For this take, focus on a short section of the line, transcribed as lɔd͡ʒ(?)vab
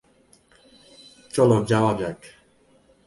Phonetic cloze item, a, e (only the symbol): a